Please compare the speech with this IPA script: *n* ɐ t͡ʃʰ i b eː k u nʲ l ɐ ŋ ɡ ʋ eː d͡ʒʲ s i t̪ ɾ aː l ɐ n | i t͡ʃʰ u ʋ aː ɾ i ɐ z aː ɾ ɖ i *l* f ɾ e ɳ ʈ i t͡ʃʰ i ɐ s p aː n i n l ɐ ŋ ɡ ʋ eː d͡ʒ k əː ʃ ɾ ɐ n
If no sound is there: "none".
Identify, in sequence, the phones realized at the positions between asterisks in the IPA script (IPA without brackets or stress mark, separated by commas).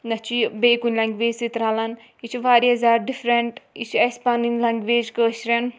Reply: n, none